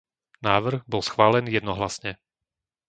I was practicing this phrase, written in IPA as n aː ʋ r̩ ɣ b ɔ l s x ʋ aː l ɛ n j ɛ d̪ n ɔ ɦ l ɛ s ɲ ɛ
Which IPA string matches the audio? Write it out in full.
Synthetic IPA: n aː ʋ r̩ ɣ b ɔ l s x ʋ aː l ɛ n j ɛ d̪ n ɔ ɦ l a s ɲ ɛ

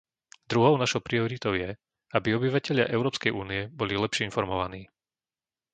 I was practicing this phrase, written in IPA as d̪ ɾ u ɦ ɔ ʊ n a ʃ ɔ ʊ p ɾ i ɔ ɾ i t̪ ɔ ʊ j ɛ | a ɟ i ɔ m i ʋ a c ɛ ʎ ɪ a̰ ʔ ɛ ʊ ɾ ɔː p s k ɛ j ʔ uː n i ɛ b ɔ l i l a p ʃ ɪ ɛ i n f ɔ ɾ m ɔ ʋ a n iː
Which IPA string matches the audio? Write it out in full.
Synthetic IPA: d̪ ɾ u ɦ ɔ ʊ n a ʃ ɔ ʊ p ɾ i ɔ ɾ i t̪ ɔ ʊ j ɛ | a b i ɔ b i ʋ a c ɛ ʎ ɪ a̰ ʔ ɛ ʊ ɾ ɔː p s k ɛ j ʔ uː n i ɛ b ɔ l i l ɛ p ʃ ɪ ɛ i n f ɔ ɾ m ɔ ʋ a n iː

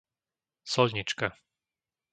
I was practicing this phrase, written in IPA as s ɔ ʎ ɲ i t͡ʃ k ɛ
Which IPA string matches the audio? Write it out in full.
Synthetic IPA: s ɔ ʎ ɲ i t͡ʃ k a

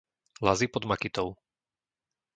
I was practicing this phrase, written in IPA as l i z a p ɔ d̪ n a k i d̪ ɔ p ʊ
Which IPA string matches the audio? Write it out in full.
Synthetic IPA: l a z i p ɔ d̪ m a k i t̪ ɔ ʊ

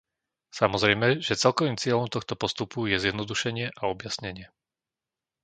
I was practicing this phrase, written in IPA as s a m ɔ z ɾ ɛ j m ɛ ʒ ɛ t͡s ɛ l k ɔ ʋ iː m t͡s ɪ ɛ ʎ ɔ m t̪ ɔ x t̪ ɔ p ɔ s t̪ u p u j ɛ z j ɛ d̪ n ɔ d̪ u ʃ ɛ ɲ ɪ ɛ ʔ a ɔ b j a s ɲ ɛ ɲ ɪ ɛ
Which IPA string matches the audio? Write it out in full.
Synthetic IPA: s a m ɔ z ɾ ɛ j m ɛ ʒ ɛ t͡s ɛ l k ɔ ʋ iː m t͡s ɪ ɛ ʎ ɔ m t̪ ɔ x t̪ ɔ p ɔ s t̪ u p u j ɛ z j ɛ d̪ n ɔ d̪ u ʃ ɛ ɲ ɪ ɛ ʔ a ɔ b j a s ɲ ɛ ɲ ɪ ɛ

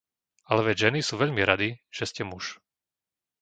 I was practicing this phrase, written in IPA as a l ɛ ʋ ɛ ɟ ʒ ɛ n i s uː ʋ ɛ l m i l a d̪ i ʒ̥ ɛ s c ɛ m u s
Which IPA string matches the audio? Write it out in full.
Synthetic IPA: a l ɛ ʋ ɛ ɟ ʒ ɛ n i s uː ʋ ɛ ʎ m i ɾ a d̪ i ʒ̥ ɛ s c ɛ m u ʃ

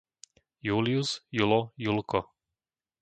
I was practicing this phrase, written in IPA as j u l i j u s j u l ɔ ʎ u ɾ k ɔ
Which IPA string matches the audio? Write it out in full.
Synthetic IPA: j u l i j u s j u l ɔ j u l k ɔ

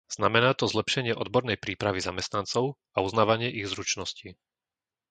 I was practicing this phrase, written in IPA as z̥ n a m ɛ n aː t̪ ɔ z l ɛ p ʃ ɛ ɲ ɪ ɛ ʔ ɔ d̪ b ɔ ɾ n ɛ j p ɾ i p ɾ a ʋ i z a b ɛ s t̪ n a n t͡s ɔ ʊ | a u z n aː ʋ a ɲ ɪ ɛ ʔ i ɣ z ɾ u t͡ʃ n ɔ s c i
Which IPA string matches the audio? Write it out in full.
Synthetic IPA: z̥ n a m ɛ n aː t̪ ɔ z l ɛ p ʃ ɛ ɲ ɪ ɛ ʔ ɔ d̪ b ɔ ɾ n ɛ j p ɾ iː p ɾ a ʋ i z a m ɛ s t̪ n a n t͡s ɔ ʊ | a u z n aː ʋ a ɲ ɪ ɛ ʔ i ɣ z ɾ u t͡ʃ n ɔ s c i

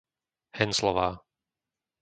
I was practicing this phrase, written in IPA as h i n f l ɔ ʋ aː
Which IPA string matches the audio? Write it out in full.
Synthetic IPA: h ɛ n s l ɔ ʋ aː

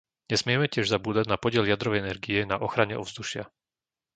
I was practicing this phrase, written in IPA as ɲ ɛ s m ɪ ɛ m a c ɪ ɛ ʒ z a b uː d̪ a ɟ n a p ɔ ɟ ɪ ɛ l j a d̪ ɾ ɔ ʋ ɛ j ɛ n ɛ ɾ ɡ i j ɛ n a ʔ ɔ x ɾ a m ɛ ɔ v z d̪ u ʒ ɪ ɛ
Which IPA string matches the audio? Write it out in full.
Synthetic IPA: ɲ ɛ s m ɪ ɛ m ɛ c ɪ ɛ ʒ z a b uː d̪ a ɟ n a p ɔ ɟ ɪ ɛ l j a d̪ ɾ ɔ ʋ ɛ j ɛ n ɛ ɾ ɡ i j ɛ n a ʔ ɔ x ɾ a ɲ ɛ ɔ v z d̪ u ʃ ɪ a

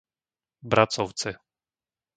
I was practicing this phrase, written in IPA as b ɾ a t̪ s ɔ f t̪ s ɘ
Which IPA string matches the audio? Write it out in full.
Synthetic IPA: b ɾ a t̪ s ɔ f t̪ s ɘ

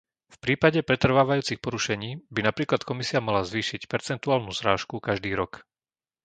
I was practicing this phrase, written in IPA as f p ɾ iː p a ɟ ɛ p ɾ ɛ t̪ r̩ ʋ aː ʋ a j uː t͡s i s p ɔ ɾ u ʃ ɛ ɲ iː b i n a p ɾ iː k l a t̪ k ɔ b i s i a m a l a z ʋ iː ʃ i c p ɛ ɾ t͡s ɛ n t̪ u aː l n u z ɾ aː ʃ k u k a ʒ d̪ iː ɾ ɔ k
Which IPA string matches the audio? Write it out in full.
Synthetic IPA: f p ɾ iː p a ɟ ɛ p ɾ ɛ t̪ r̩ ʋ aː ʋ a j uː t͡s i x p ɔ ɾ u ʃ ɛ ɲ iː b i n a p ɾ iː k l a t̪ k ɔ m i s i a m a l a z ʋ iː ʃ i c p ɛ ɾ t͡s ɛ n t̪ u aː l n u z ɾ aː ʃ k u k a ʒ d̪ iː ɾ ɔ k

